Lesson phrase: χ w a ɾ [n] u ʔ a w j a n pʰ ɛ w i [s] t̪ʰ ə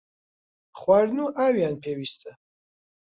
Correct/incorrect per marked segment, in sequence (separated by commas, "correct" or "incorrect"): correct, correct